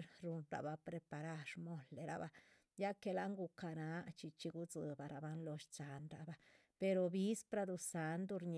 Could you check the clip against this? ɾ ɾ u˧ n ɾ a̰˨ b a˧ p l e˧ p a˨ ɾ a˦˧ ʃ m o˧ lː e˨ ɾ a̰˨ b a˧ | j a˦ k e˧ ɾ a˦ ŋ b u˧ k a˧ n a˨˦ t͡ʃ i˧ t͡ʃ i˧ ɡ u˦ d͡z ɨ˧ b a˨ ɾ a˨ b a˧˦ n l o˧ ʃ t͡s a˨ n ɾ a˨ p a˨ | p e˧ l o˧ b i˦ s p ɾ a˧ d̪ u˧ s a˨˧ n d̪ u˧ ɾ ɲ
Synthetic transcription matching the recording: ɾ ɾ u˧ n ɾ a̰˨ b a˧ p ɾ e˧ p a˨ ɾ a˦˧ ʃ m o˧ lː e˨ ɾ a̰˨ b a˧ | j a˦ k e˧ l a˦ ŋ ɡ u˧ k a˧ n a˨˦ t͡ʃ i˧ t͡ʃ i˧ ɡ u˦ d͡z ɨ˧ b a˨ ɾ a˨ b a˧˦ n l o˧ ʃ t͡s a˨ n ɾ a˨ b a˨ | p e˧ ɾ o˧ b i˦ s p ɾ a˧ d̪ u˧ s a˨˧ n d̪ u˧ ɾ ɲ